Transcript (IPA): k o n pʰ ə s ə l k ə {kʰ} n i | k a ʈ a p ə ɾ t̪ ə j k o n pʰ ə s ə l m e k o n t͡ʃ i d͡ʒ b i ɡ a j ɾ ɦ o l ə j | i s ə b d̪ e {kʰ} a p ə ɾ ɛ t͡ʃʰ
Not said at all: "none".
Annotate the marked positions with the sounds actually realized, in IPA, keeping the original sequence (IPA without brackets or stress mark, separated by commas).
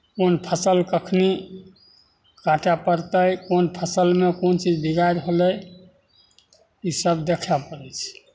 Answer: kʰ, kʰ